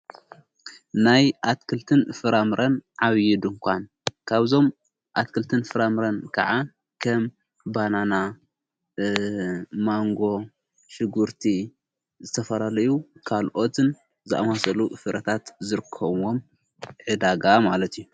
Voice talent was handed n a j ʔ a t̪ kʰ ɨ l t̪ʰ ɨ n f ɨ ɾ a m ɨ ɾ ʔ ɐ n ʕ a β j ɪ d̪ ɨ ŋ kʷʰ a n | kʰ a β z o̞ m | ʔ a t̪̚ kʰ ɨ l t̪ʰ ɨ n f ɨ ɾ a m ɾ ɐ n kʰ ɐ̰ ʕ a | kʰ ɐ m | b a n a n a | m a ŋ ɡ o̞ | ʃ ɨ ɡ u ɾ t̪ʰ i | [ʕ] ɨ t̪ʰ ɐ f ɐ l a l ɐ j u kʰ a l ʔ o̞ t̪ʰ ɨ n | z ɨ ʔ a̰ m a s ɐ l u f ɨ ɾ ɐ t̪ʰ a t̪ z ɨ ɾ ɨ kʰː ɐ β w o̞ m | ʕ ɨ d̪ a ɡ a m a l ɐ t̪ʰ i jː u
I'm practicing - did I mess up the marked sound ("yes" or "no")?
yes